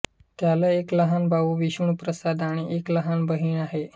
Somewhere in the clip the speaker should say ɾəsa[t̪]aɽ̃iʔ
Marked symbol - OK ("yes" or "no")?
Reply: no